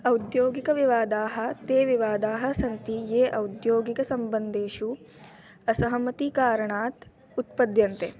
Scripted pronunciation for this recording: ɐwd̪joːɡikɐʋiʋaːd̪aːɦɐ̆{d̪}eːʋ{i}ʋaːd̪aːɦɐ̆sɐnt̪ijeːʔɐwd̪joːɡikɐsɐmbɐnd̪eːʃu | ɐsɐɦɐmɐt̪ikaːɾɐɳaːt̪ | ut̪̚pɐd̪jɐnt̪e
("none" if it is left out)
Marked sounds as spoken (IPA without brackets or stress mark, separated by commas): t̪, i